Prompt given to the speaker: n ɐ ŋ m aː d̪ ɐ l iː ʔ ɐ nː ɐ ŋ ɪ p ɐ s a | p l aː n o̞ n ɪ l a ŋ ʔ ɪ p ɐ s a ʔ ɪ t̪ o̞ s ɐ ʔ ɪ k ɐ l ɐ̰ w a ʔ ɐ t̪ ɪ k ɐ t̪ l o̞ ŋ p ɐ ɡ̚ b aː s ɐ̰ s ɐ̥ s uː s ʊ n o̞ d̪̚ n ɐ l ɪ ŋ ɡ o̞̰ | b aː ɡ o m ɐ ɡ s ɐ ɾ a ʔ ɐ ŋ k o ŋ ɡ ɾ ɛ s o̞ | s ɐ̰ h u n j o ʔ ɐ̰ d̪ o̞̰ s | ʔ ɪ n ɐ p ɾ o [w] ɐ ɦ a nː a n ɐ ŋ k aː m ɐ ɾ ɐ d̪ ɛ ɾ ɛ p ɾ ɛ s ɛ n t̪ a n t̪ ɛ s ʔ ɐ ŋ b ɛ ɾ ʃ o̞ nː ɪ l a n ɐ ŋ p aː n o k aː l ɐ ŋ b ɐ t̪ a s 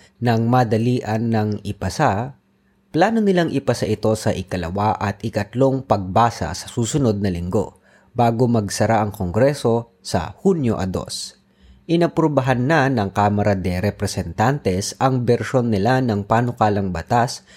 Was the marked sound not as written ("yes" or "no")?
yes